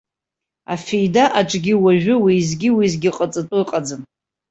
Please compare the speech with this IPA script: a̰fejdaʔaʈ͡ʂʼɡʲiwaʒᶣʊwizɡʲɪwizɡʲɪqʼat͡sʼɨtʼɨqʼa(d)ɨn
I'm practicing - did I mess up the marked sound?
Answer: yes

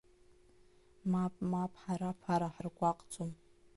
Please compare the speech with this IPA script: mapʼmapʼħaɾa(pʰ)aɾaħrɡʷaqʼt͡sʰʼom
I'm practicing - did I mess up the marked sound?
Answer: no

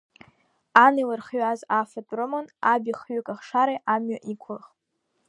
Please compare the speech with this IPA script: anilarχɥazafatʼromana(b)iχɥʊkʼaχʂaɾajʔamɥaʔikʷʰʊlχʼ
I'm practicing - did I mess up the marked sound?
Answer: no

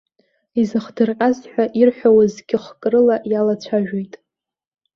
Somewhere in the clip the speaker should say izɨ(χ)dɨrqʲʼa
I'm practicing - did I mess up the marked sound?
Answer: no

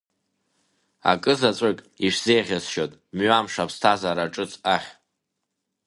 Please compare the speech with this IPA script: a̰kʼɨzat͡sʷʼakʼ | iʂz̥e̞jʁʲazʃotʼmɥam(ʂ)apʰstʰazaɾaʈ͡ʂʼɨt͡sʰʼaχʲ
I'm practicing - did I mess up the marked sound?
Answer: no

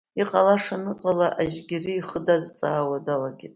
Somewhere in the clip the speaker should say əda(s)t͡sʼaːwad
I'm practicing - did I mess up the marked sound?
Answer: yes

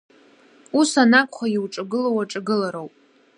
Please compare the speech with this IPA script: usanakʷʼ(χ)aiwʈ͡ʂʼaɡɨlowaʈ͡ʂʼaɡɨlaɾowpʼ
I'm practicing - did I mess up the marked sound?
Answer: no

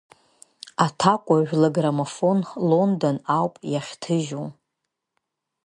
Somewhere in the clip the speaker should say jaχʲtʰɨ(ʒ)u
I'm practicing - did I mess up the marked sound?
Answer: no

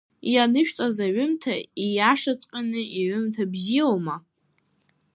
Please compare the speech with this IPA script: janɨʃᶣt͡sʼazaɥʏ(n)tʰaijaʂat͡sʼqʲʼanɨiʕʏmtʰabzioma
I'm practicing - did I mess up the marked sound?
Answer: yes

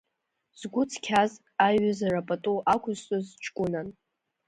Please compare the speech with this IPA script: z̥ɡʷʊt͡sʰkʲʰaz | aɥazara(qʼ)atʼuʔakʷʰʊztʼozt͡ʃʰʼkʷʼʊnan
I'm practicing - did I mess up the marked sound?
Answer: yes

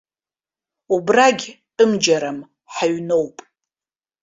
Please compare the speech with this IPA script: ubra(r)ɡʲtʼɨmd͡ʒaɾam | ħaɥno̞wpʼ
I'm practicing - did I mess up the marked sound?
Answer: yes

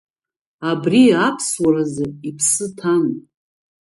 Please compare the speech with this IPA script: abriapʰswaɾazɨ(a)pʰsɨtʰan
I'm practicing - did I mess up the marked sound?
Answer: yes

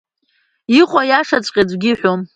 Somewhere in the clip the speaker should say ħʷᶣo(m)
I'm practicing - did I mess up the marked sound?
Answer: no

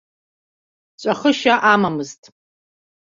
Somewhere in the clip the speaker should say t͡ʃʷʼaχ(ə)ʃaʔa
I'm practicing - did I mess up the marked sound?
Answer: no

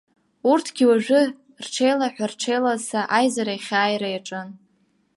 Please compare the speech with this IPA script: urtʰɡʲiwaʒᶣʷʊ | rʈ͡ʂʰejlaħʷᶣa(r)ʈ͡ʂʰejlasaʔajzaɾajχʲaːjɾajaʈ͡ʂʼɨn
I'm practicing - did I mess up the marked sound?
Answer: no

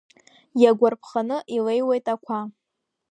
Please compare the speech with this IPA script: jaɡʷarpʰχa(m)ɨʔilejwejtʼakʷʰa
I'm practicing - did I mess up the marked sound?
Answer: yes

